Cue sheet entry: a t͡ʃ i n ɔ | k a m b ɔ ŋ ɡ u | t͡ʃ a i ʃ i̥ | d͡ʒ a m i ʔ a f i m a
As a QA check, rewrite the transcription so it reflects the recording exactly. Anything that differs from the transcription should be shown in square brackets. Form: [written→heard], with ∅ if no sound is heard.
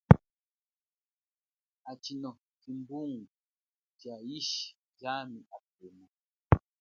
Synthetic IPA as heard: a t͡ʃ i n ɔ | k [a→i] m b [ɔ→u] ŋ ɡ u | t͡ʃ a i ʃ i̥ | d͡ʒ a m i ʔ a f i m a